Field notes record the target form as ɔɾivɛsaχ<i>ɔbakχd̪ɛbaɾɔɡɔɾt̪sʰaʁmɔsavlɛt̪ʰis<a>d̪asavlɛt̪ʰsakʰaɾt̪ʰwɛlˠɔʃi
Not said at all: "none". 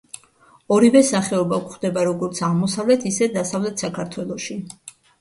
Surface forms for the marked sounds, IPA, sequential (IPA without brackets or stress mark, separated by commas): ɛ, ɛ